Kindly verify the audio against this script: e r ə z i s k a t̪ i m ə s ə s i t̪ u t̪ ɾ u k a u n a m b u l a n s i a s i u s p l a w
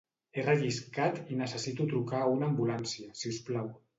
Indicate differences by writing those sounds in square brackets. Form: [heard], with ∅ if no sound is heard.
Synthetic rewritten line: e r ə [ʒ] i s k a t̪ i [n] ə s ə s i t̪ u t̪ ɾ u k a u n a m b u l a n s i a s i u s p l a w